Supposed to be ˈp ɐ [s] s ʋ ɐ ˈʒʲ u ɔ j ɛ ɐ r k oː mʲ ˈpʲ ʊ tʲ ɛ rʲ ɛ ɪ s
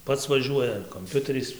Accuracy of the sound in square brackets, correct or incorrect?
incorrect